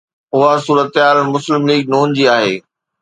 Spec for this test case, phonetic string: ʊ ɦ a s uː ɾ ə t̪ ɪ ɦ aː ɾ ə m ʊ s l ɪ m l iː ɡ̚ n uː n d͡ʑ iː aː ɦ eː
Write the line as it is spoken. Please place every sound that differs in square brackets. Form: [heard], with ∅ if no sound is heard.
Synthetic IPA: ʊ ɦ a s uː ɾ ə t̪ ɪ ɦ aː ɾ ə m ʊ s l ɪ m l iː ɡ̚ n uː n d͡ʑ iː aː ɦ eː